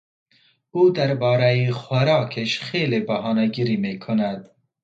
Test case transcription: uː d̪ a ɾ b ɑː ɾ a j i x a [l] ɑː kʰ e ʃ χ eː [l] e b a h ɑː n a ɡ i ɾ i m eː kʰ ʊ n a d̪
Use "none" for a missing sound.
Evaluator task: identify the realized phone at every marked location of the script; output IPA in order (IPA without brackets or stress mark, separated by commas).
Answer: ɾ, l